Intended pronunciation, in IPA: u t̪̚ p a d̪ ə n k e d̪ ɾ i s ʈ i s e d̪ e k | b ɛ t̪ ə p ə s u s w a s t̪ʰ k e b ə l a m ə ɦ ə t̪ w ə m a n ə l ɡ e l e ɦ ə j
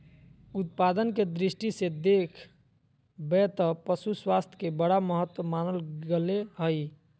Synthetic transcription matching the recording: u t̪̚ p a d̪ ə n k e d̪ ɾ i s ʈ i s e d̪ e kʰ | b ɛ t̪ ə p ə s u s w a s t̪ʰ k e b ə ɽ a m ə ɦ ə t̪ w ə m a n ə l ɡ e l e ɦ ə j